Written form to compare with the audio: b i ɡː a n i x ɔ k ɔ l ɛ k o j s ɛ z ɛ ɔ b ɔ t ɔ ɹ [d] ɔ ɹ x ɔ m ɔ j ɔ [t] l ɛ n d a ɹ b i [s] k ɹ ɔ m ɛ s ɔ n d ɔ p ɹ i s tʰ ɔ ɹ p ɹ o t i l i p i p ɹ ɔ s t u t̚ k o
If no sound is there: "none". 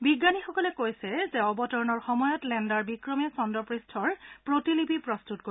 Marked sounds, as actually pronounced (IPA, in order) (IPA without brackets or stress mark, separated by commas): n, t, none